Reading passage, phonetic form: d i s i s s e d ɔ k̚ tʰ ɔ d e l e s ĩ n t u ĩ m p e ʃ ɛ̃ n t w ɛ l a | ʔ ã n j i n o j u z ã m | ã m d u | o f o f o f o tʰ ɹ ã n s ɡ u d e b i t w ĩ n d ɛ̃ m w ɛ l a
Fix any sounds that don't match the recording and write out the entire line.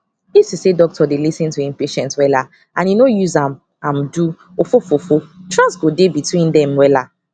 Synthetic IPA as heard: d i s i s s e d ɔ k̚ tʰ ɔ d e l i s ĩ n t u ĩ m p e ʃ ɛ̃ n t w ɛ l a | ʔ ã n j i n o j u z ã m | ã m d u | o f o f o f o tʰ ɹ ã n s ɡ o d e b i t w ĩ n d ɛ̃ m w ɛ l a